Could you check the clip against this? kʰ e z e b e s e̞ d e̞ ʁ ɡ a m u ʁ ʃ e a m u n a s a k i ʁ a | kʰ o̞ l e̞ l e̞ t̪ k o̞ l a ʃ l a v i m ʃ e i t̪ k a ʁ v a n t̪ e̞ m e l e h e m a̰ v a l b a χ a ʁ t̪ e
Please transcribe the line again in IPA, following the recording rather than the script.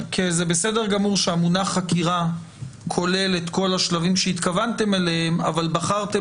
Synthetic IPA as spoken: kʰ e z e b e s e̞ d e̞ ʁ ɡ a m u ʁ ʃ e a m u n a χ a k i ʁ a | kʰ o̞ l e̞ l e̞ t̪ k o̞ l a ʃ l a v i m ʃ e i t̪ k a v a n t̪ e̞ m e l e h e m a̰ v a l b a χ a ʁ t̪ e